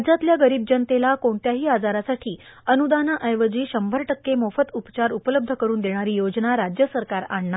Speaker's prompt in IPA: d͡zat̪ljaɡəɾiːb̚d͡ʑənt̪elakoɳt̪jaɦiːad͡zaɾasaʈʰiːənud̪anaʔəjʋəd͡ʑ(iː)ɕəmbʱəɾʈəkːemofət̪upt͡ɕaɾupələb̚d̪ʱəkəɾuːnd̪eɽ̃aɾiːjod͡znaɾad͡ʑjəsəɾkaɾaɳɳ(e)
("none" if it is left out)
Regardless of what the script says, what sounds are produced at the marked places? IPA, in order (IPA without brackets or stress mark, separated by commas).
iː, a